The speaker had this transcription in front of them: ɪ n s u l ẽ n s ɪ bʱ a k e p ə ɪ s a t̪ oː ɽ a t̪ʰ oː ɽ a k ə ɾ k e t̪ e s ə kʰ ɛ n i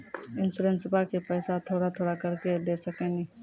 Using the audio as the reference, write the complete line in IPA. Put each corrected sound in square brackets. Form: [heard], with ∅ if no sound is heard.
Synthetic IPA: ɪ n s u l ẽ n s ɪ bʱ a k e p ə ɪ s a [t̪ʰ] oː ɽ a t̪ʰ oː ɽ a k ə ɾ k e [d̪] e s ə [k] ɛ n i